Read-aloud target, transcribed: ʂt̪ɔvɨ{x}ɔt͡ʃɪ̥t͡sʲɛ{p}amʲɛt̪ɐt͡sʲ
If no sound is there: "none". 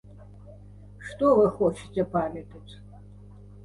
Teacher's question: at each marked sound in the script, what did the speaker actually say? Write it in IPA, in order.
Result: x, p

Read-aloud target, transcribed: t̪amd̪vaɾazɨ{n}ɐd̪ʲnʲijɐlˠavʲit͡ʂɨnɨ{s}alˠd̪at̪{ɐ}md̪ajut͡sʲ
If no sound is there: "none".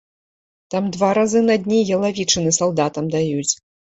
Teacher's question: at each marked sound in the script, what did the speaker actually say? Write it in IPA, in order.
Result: n, s, ɐ

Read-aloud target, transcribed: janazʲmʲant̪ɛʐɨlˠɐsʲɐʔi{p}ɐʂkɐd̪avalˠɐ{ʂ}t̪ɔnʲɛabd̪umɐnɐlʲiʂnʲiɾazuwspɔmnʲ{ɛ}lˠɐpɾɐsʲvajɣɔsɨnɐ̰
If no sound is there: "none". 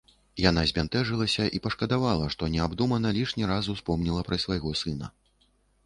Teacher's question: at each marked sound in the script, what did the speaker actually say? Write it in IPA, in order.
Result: p, ʂ, i

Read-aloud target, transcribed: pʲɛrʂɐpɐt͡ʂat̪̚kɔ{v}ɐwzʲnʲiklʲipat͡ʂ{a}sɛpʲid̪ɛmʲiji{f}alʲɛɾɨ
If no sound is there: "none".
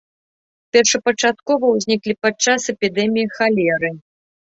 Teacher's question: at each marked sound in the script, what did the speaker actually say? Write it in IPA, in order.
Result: v, a, x

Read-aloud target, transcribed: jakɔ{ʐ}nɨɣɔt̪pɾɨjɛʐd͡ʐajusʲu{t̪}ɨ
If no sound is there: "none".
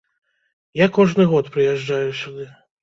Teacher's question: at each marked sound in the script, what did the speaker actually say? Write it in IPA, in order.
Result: ʐ, d̪

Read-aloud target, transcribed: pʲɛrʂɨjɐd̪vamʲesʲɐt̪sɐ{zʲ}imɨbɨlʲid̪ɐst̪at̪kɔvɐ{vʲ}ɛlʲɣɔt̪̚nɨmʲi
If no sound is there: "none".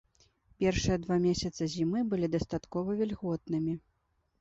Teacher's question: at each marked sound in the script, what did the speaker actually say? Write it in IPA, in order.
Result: zʲ, vʲ

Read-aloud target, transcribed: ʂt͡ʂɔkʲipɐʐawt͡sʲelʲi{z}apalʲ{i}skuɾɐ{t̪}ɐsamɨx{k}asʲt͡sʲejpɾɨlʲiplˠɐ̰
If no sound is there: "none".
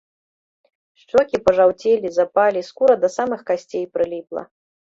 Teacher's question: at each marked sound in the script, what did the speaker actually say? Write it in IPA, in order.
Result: z, i, d̪, k

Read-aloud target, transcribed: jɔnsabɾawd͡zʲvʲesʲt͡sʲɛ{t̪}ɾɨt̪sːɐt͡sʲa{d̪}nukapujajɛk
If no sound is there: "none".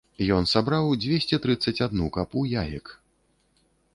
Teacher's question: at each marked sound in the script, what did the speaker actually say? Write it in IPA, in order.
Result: t̪, d̪

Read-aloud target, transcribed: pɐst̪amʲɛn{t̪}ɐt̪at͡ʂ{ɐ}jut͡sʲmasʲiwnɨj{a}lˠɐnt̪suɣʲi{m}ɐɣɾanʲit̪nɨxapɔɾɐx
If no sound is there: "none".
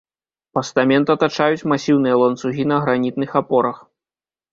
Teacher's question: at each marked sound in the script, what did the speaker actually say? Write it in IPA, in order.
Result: t̪, a, ɐ, n

